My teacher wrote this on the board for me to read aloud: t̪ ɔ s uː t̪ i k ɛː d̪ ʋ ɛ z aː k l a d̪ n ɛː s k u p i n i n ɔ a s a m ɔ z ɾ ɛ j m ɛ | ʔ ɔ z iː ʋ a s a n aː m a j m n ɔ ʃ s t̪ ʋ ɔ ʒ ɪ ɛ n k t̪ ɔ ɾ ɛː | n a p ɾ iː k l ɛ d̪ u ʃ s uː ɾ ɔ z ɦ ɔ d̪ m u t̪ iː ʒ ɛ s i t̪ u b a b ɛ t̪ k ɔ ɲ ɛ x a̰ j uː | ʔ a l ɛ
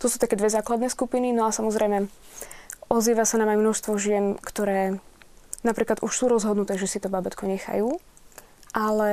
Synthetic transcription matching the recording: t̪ ɔ s uː t̪ a k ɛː d̪ ʋ ɛ z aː k l a d̪ n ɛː s k u p i n i n ɔ a s a m ɔ z ɾ ɛ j m ɛ | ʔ ɔ z iː ʋ a s a n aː m a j m n ɔ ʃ s t̪ ʋ ɔ ʒ ɪ ɛ n k t̪ ɔ ɾ ɛː | n a p ɾ iː k l a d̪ u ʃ s uː ɾ ɔ z ɦ ɔ d̪ n u t̪ ɛː ʒ ɛ s i t̪ ɔ b a b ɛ t̪ k ɔ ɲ ɛ x a̰ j uː | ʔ a l ɛ